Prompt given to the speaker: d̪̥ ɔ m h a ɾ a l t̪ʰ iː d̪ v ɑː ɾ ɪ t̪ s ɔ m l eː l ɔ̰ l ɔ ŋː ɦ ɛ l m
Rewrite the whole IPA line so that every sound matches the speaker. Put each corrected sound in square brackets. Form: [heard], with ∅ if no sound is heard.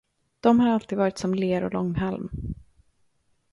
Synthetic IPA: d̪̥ ɔ m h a ɾ a l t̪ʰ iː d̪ v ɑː ɾ ɪ t̪ s ɔ m l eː [ɾ] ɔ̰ l ɔ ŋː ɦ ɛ l m